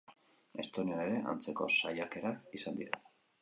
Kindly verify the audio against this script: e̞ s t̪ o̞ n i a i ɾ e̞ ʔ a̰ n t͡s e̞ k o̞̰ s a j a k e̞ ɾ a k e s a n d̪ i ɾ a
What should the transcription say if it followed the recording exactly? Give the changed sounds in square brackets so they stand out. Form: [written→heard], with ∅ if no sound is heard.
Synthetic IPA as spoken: e̞ s t̪ o̞ n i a [i→e] ɾ e̞ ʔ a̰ n t͡s e̞ k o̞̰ s a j a k e̞ ɾ a k [e→i] s a n d̪ i ɾ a